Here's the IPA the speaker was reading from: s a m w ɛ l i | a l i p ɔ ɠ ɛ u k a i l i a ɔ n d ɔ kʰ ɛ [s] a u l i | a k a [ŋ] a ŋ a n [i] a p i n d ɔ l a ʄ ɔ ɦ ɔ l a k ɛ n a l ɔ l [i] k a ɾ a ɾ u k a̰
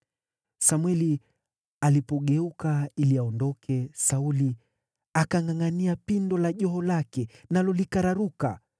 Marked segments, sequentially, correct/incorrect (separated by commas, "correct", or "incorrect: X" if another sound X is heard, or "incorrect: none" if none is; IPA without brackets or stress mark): correct, correct, correct, correct